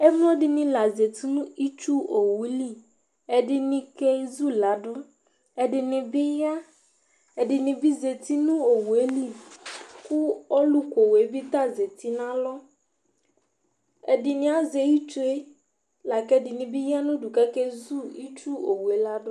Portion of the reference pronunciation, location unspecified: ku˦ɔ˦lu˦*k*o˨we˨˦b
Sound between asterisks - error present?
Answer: no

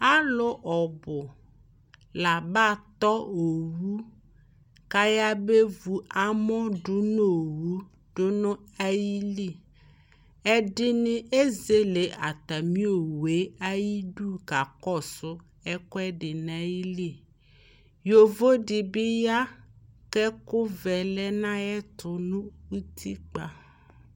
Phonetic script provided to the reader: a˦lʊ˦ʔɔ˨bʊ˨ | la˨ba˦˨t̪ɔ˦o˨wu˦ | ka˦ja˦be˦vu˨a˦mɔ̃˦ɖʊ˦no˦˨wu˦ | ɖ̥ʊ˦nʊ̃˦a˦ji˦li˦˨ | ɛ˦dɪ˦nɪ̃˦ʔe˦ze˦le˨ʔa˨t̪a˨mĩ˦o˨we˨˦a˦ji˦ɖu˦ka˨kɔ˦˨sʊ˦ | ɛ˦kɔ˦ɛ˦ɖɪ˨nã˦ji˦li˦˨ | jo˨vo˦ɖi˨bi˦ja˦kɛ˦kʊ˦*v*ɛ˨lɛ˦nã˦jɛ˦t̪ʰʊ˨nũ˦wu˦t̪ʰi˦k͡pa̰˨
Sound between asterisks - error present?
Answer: no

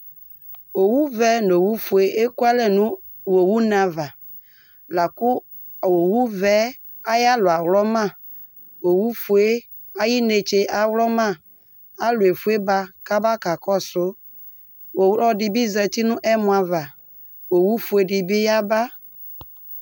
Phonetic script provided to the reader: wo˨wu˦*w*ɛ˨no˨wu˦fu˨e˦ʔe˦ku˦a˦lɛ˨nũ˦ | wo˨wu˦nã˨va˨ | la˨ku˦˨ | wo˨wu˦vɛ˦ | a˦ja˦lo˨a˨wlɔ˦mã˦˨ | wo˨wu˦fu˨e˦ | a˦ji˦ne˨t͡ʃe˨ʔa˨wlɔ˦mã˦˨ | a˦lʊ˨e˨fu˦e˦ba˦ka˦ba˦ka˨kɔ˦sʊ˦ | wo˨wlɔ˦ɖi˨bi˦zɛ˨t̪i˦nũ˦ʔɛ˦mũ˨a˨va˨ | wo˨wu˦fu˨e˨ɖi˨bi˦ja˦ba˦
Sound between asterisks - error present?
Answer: yes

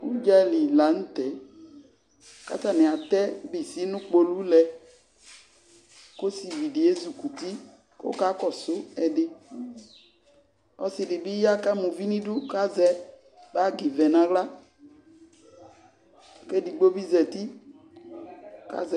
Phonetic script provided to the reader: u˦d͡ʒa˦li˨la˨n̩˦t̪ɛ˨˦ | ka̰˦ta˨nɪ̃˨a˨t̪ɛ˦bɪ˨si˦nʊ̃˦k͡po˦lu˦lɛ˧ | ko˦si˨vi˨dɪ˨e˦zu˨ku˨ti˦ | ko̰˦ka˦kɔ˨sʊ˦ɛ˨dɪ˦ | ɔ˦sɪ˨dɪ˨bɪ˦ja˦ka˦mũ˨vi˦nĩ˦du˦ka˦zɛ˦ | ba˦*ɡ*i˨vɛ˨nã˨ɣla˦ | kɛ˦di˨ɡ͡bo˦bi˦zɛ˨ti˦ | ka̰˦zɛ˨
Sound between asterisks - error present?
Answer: no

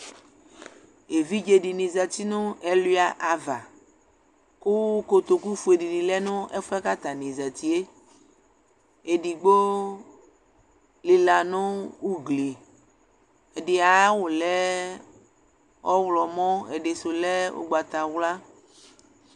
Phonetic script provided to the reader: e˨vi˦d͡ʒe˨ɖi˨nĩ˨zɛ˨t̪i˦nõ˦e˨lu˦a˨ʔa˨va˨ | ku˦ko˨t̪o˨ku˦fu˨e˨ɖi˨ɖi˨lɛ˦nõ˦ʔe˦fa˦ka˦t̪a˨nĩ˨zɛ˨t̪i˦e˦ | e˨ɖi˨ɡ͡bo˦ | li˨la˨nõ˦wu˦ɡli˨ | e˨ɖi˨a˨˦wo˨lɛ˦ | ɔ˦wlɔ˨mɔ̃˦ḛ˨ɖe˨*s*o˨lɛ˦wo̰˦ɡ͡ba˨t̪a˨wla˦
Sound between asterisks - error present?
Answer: no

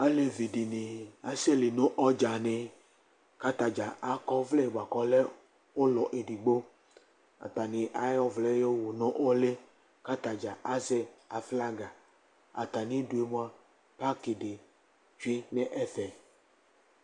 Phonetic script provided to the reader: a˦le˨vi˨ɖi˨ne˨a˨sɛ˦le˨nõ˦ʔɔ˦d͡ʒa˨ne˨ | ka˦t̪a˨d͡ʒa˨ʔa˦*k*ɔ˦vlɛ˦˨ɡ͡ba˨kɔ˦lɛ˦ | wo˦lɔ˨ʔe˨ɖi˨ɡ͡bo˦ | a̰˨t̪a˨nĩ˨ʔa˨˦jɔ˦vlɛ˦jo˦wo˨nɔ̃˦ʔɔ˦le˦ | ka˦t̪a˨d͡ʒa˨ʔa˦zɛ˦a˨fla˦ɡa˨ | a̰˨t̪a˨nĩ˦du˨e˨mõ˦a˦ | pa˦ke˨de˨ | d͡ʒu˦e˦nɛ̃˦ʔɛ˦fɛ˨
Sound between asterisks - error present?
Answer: no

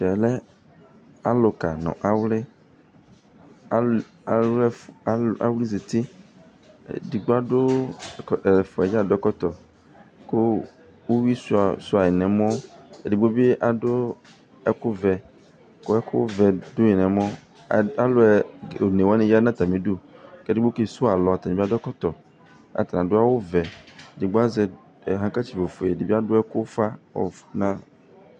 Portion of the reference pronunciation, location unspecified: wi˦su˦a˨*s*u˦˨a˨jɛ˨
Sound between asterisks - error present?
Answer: no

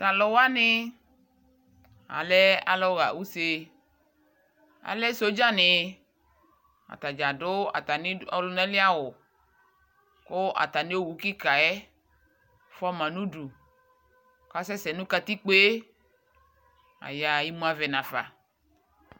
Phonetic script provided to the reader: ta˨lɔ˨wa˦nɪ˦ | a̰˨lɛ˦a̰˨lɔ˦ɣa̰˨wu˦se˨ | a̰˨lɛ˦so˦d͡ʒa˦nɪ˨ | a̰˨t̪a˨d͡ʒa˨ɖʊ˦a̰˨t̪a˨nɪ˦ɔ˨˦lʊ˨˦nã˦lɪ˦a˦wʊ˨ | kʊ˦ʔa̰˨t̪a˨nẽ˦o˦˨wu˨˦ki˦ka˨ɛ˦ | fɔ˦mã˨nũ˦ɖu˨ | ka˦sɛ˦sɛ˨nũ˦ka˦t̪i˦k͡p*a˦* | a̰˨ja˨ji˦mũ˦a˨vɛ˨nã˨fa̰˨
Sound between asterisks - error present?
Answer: yes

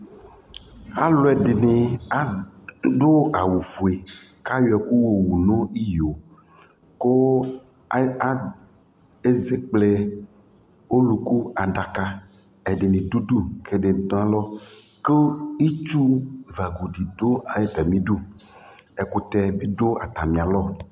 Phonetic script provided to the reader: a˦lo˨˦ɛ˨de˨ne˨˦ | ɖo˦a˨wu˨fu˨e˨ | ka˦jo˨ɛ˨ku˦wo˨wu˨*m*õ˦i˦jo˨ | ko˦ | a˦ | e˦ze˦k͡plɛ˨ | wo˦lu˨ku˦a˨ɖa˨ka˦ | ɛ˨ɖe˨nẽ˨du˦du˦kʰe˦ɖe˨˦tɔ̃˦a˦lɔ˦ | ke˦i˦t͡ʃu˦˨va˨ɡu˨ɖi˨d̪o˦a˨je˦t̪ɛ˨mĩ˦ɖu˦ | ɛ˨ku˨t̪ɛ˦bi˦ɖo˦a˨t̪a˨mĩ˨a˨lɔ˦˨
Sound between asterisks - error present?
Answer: yes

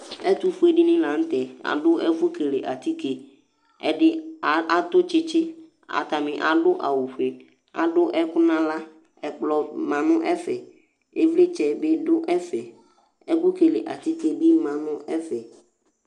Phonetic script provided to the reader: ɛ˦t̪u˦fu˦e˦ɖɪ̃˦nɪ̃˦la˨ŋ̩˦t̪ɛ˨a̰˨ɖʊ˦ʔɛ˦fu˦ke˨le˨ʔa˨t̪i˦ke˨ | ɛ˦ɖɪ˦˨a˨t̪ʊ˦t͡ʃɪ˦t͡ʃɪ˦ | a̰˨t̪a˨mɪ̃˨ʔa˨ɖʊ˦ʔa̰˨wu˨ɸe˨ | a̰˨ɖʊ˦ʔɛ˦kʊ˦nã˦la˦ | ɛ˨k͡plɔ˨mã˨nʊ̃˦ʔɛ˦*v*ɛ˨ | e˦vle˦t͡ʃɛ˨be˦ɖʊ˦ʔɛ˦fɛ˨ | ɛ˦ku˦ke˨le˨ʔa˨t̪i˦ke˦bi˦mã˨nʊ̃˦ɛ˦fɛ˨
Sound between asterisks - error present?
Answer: yes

